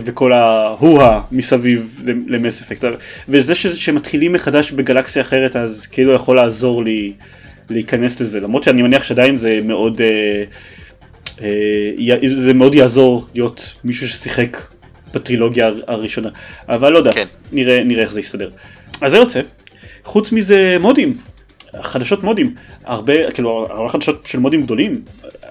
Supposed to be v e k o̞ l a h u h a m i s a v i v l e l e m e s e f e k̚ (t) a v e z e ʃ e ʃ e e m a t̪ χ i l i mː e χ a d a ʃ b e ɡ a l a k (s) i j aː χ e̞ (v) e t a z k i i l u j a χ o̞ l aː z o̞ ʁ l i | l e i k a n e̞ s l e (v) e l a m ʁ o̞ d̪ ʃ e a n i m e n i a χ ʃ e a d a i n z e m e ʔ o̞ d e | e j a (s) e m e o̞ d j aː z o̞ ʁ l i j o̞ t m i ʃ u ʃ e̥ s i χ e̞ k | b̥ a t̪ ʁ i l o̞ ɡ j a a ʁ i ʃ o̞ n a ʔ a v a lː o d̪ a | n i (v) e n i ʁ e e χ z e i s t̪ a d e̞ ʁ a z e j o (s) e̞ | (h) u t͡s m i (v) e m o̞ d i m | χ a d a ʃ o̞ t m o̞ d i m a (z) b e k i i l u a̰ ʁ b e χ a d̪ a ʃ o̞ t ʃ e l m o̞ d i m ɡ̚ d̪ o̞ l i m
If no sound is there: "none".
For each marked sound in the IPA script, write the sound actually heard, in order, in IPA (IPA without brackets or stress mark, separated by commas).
t, s, ʁ, z, z, ʁ, t͡s, χ, z, ʁ